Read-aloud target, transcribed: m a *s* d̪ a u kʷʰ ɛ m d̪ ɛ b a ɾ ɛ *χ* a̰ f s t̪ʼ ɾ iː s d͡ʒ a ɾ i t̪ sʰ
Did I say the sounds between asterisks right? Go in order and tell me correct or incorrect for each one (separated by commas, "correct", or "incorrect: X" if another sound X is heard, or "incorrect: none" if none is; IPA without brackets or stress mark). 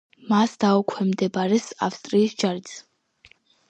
correct, incorrect: s